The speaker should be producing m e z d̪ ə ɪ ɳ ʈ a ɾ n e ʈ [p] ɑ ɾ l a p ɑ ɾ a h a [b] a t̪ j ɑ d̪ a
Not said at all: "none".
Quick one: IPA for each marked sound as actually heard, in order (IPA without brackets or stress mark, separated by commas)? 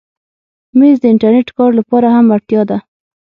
k, m